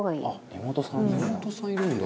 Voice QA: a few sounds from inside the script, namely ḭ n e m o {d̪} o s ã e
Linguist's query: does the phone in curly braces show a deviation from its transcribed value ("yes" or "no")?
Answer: yes